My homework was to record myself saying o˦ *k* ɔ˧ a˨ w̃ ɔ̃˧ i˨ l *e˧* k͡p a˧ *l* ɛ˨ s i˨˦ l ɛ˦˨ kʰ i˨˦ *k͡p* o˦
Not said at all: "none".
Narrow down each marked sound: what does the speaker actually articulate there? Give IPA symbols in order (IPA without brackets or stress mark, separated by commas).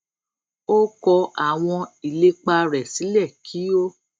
k, e˧, ɾ, none